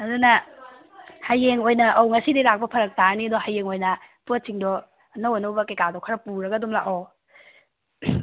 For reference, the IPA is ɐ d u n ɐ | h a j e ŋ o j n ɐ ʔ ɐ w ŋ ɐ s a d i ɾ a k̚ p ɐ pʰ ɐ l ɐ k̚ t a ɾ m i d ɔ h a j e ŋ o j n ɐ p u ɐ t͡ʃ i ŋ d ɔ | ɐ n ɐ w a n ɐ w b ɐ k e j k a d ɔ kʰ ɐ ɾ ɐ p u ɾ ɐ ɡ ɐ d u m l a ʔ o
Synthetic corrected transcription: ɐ d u n ɐ | h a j e ŋ o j n ɐ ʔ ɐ w ŋ ɐ s i d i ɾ a k̚ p ɐ pʰ ɐ ɾ ɐ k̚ t a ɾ n i d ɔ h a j e ŋ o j n ɐ p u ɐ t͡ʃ i ŋ d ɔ | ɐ n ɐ w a n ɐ w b ɐ k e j k a d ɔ kʰ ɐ ɾ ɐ p u ɾ ɐ ɡ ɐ d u m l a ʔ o